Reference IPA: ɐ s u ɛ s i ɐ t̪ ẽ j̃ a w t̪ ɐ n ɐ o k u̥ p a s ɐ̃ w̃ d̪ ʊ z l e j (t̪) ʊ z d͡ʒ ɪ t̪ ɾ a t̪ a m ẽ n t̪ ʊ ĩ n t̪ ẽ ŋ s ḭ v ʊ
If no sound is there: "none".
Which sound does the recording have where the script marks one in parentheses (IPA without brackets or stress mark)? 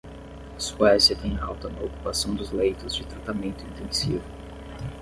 t̪